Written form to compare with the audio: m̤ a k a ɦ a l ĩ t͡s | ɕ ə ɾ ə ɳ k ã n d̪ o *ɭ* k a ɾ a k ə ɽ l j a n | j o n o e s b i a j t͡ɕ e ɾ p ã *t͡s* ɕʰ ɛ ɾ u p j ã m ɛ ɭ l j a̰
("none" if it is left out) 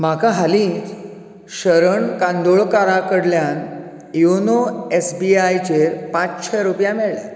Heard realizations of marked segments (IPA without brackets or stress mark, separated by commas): ɭ, t͡s